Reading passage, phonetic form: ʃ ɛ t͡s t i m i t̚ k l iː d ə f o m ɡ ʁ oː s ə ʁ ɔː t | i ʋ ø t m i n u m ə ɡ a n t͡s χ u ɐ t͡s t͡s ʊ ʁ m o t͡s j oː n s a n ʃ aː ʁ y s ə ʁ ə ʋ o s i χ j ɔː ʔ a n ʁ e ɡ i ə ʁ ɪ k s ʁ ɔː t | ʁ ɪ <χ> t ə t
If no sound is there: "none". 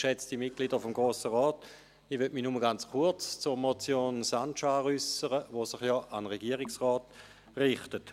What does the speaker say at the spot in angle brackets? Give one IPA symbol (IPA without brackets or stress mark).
χ